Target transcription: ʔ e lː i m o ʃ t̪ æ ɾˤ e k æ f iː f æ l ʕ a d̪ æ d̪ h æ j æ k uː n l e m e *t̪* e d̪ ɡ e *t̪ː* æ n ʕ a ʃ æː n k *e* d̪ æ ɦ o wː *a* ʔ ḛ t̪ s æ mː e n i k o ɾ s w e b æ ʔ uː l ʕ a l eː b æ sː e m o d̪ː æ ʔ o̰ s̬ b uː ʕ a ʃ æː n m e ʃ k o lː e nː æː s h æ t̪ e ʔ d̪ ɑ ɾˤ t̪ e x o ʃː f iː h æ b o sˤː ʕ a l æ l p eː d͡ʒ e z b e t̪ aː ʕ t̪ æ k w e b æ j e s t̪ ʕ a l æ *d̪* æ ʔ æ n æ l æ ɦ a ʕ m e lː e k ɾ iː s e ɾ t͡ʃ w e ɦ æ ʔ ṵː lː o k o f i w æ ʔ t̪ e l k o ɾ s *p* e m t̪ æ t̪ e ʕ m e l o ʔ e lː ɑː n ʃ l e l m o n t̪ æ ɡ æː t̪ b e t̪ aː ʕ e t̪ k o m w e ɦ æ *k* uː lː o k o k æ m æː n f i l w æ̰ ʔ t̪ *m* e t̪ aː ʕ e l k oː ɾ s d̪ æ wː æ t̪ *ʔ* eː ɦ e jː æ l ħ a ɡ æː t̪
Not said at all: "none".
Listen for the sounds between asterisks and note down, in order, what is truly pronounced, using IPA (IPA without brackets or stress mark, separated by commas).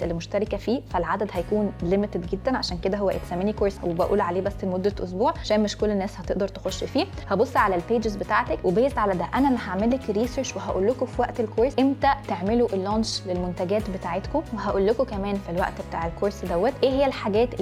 t̪, d̪ː, e, æ, d̪, ʔ, ʔ, b, ʔ